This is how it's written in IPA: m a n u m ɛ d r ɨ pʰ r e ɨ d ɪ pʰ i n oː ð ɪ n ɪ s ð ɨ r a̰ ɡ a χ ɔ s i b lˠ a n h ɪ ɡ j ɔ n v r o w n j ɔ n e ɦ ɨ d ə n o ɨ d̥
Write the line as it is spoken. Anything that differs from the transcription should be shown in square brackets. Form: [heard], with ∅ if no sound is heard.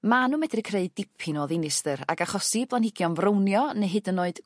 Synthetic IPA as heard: m a n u m ɛ d r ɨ [kʰ] r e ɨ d ɪ pʰ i n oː ð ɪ n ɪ s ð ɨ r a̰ ɡ a χ ɔ s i b lˠ a n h ɪ ɡ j ɔ n v r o w n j ɔ n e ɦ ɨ d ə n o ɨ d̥

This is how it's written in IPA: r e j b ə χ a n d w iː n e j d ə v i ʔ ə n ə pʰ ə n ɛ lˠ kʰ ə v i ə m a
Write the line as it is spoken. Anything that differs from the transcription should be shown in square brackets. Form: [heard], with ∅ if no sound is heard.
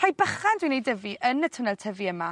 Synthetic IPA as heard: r [a] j b ə χ a n d w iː n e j d ə v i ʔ ə n ə [tʰ] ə n ɛ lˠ [tʰ] ə v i ə m a

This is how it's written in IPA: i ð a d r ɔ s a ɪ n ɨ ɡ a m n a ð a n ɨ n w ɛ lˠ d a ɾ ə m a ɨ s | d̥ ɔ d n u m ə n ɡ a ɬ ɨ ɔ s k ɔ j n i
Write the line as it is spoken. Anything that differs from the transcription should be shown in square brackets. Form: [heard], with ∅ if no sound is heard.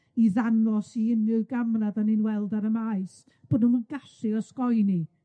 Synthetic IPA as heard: i ð a [n] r ɔ s [i] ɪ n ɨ ɡ a m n a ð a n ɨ n w ɛ lˠ d a ɾ ə m a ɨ s | [b̥] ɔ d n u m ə n ɡ a ɬ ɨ ɔ s k ɔ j n i

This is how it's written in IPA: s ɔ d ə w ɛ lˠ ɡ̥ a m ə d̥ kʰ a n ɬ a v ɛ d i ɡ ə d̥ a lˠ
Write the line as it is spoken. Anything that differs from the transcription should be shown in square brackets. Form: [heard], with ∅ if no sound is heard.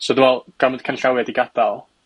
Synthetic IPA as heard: s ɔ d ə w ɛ lˠ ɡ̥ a m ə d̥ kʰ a n ɬ a [w] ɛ d i ɡ [a] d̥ a lˠ

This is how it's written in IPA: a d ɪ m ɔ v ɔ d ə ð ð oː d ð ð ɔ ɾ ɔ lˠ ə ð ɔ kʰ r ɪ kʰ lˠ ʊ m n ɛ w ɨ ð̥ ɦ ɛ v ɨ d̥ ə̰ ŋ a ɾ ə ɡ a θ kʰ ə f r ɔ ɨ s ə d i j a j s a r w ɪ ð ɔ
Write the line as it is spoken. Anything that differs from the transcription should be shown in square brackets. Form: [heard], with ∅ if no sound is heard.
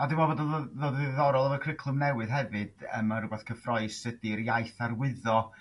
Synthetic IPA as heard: a d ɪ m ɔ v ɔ d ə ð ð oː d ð ð ɔ ɾ ɔ lˠ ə [v] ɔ kʰ r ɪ kʰ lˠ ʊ m n ɛ w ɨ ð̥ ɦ ɛ v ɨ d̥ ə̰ [m] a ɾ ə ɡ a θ kʰ ə f r ɔ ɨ s ə d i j a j [θ] a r w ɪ ð ɔ

